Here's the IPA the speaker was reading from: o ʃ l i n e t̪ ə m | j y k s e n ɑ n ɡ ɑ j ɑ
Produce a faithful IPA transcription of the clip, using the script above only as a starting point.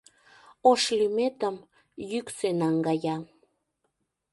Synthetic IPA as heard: o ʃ l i m e t̪ ə m | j y k s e n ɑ ŋ ɡ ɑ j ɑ